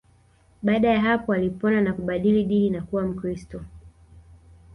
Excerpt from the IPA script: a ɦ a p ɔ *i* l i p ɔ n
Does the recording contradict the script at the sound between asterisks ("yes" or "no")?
yes